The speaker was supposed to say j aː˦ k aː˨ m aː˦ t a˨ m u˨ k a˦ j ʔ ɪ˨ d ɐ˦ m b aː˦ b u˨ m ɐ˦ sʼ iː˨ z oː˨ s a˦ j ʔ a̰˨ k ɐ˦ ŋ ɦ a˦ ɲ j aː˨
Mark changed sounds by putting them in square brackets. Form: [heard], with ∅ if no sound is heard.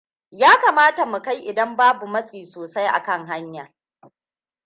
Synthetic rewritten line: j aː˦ k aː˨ m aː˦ t a˨ m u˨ k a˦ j ʔ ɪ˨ d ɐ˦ m b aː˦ b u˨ m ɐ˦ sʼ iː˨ [s] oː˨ s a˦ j ʔ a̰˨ k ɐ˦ ŋ ɦ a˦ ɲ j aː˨